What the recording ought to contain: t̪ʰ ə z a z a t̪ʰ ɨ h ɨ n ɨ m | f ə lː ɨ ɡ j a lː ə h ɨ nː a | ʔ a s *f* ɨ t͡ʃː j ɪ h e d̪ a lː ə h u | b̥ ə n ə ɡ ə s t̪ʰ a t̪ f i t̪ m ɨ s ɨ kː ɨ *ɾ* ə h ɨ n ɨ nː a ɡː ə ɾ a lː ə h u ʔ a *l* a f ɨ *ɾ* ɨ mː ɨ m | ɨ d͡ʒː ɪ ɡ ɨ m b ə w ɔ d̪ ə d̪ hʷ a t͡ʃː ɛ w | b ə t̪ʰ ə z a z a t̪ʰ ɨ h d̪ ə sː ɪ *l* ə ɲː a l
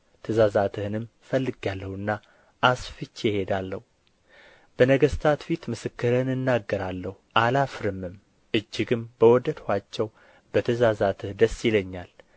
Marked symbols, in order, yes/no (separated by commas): yes, yes, yes, yes, yes